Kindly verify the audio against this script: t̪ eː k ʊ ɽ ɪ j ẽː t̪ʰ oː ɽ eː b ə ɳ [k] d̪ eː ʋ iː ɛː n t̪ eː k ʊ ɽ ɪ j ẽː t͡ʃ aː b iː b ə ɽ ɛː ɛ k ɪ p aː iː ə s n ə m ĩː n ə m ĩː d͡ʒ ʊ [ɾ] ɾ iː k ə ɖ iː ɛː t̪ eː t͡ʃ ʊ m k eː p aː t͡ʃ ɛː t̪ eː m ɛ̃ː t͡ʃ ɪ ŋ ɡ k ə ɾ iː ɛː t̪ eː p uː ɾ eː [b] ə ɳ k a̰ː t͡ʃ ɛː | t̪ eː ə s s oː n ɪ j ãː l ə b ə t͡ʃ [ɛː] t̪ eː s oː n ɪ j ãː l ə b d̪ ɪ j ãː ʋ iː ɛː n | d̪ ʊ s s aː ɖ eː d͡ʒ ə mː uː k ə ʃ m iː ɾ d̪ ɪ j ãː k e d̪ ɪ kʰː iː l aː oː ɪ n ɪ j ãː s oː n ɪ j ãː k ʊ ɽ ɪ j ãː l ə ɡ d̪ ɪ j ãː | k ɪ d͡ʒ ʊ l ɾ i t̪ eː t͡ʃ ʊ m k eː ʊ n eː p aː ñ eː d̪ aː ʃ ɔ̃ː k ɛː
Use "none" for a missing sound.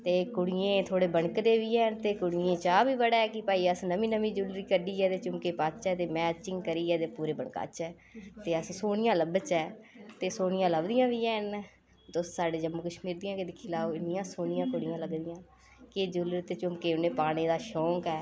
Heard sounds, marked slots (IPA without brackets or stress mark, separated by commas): k, l, b, ɛː